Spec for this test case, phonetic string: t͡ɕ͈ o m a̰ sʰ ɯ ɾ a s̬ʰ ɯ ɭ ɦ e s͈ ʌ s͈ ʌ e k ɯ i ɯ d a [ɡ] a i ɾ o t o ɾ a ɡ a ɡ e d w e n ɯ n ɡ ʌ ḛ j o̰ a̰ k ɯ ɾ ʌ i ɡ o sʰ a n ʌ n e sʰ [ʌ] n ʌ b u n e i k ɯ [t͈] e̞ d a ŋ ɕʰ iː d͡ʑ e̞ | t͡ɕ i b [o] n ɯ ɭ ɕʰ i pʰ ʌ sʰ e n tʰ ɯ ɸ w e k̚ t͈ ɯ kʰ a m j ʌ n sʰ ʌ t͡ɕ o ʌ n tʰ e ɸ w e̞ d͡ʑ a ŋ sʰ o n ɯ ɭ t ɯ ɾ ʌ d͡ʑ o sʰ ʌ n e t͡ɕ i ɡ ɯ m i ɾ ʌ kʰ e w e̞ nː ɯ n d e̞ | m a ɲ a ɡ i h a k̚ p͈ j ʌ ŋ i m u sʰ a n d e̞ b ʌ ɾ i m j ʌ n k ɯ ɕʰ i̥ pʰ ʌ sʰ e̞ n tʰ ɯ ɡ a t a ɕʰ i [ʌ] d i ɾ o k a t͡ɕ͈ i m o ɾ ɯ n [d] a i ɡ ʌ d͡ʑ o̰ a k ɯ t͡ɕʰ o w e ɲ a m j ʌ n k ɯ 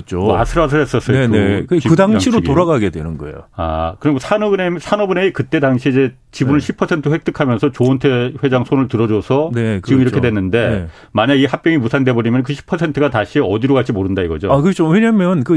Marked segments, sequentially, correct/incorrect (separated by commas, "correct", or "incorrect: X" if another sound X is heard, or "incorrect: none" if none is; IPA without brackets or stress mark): incorrect: ŋ, incorrect: a, correct, incorrect: u, correct, correct